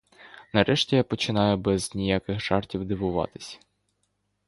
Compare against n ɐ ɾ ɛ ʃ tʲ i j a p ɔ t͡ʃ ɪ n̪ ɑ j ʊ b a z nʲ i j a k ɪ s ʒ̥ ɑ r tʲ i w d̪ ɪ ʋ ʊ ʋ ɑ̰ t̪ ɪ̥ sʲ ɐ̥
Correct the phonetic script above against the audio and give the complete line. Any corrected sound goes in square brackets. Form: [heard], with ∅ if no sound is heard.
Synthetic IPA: n ɐ ɾ ɛ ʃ tʲ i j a p ɔ t͡ʃ ɪ n̪ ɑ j ʊ b [ɛ] z nʲ i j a k ɪ [x] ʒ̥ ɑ r tʲ i w d̪ ɪ ʋ ʊ ʋ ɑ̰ t̪ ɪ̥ sʲ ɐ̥